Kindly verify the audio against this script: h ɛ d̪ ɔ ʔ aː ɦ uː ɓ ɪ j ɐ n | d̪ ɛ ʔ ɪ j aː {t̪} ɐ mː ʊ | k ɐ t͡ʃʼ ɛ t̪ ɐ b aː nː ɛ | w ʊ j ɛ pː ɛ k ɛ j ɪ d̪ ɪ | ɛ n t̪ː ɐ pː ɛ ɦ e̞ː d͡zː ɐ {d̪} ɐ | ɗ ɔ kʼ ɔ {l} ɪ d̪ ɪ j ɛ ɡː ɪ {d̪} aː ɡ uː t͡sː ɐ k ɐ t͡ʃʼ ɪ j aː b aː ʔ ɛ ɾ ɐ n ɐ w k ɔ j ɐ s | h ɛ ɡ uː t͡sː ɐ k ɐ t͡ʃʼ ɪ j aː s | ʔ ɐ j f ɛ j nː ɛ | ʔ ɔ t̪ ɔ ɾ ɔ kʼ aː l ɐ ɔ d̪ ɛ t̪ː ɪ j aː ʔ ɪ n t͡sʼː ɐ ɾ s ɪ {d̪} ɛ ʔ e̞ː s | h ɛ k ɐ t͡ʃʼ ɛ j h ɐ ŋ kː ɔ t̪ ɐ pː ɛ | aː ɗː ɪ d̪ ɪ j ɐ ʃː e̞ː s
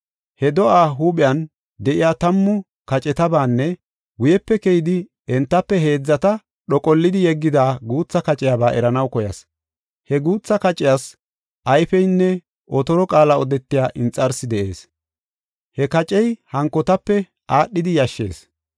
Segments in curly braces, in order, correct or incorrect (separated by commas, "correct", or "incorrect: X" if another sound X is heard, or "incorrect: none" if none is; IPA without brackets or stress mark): correct, incorrect: t̪, incorrect: lː, correct, correct